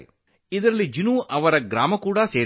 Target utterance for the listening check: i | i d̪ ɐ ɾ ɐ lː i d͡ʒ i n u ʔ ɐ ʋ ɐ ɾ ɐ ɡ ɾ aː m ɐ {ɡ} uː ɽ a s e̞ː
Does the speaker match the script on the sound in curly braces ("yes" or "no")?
no